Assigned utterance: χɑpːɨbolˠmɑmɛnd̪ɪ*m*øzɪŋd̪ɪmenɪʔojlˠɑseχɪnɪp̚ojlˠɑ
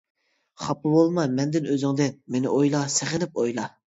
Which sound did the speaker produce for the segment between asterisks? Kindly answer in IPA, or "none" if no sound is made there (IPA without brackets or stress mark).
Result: n